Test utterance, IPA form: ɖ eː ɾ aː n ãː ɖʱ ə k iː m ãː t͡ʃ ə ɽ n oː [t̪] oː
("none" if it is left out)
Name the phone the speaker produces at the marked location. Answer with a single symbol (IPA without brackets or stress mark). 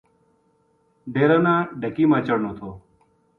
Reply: t̪ʰ